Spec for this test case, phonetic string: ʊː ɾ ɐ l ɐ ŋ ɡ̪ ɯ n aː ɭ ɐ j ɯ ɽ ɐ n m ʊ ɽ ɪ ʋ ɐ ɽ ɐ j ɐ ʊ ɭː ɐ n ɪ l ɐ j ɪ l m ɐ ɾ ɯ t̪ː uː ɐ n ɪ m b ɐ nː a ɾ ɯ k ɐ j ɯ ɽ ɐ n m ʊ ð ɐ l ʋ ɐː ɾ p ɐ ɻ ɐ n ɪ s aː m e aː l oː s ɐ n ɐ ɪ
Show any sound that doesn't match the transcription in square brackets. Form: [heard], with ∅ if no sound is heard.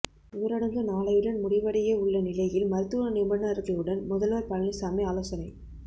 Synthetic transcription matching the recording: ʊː ɾ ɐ [ɽ] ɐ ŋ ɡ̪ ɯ n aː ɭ ɐ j ɯ ɽ ɐ n m ʊ ɽ ɪ ʋ ɐ ɽ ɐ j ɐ ʊ ɭː ɐ n ɪ l ɐ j ɪ l m ɐ ɾ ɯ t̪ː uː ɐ n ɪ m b ɐ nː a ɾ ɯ k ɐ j ɯ ɽ ɐ n m ʊ ð ɐ l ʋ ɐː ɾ p ɐ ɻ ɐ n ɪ s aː m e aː l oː s ɐ n ɐ ɪ